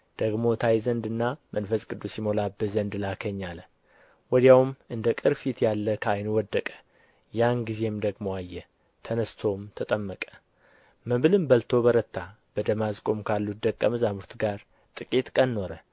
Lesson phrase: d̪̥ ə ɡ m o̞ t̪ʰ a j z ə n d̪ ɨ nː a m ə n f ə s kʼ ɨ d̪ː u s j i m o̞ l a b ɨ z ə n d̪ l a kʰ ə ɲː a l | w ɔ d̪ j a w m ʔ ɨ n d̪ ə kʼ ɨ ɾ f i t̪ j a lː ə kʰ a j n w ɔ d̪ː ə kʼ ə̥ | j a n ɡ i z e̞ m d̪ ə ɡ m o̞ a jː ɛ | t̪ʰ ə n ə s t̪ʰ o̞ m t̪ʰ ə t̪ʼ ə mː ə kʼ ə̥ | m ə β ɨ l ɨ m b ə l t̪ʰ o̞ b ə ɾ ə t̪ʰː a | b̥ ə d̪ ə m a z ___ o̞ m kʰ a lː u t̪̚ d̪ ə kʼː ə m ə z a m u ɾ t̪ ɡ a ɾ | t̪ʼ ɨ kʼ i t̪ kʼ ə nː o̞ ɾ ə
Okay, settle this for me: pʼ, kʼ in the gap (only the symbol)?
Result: kʼ